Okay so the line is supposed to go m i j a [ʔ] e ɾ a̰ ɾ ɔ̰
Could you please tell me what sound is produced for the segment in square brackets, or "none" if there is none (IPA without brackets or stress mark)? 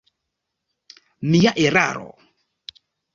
ʔ